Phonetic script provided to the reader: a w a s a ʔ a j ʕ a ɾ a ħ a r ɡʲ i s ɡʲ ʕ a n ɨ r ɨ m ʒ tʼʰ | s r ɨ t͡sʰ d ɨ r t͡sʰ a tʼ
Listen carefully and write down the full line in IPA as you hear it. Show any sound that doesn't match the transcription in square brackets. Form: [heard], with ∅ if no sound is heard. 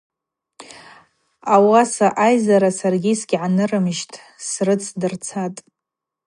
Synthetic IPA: a w a s a ʔ a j [z] a ɾ a [s] a r ɡʲ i s ɡʲ ʕ a n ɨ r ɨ m ʒ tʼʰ | s r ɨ t͡sʰ d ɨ r t͡sʰ a tʼ